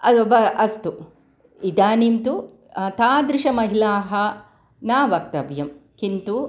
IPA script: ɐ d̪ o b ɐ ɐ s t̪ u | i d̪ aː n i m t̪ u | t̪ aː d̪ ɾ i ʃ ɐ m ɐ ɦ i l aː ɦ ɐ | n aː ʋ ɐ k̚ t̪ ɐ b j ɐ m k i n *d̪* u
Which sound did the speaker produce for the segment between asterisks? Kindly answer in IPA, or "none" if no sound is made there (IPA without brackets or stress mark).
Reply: t̪